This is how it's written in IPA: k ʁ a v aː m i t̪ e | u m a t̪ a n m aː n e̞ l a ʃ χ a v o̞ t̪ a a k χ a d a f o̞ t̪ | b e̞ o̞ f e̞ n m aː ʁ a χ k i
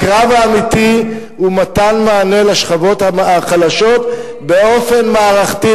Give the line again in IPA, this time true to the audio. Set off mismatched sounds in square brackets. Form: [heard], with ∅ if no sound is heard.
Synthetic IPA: k ʁ a v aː m i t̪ [i] | u m a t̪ a n m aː n e̞ l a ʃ χ a v o̞ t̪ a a [∅] χ a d a [ʃ] o̞ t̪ | b e̞ o̞ f e̞ n m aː ʁ a χ [t] i